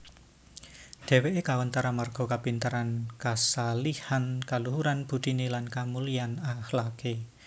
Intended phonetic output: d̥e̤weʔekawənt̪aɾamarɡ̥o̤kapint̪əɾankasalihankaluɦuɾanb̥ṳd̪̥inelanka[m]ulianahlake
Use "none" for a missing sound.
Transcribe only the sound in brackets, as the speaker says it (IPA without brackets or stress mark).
m